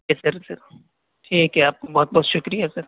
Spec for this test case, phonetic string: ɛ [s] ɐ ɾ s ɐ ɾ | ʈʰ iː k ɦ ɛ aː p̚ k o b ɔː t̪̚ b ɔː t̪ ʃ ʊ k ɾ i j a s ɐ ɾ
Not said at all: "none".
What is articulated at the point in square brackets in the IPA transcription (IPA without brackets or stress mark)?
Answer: s